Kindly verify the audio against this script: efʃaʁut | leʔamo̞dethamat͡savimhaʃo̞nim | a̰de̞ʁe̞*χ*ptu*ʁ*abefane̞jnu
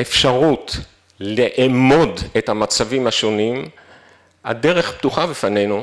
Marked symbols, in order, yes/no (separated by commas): yes, no